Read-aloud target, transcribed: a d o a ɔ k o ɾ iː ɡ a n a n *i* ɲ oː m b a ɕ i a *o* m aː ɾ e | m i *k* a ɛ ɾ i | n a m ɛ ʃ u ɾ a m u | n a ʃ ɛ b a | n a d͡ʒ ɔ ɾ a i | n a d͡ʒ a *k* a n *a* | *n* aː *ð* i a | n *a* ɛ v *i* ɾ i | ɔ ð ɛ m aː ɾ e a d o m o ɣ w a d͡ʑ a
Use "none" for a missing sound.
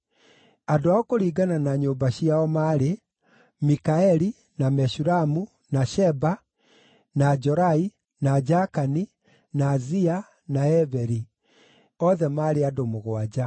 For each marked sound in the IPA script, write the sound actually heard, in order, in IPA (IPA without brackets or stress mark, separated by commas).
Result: a, ɔ, k, k, i, n, z, a, ɛ